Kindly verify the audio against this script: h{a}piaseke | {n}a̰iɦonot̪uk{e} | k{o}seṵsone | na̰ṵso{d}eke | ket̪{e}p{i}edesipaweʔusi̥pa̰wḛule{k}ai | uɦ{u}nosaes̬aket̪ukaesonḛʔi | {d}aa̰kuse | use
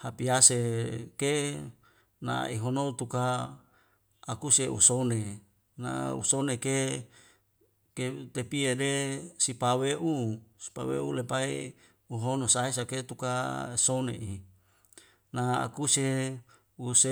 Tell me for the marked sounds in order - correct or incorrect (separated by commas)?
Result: correct, correct, incorrect, incorrect, incorrect, correct, correct, incorrect, incorrect, incorrect